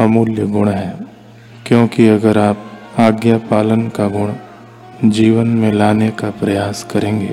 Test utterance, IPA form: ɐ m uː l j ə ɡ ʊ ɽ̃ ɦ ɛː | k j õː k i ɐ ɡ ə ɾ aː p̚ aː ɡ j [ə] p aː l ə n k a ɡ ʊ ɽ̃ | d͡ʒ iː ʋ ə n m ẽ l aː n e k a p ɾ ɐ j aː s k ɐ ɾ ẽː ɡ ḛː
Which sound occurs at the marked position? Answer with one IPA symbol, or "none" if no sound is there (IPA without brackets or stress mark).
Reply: a